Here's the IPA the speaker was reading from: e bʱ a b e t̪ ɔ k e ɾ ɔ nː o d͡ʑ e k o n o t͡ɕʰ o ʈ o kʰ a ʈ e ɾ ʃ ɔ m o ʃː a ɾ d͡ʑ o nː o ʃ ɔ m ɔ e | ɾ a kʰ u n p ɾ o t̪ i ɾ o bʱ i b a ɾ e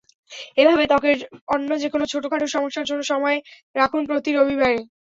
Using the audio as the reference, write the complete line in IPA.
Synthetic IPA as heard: e bʱ a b e t̪ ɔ k e ɾ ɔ nː o d͡ʑ e k o n o t͡ɕʰ o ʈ o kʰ a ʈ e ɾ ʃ ɔ m o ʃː a ɾ d͡ʑ o nː o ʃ ɔ m ɔ e | ɾ a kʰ u n p ɾ o t̪ i ɾ o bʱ i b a ɾ e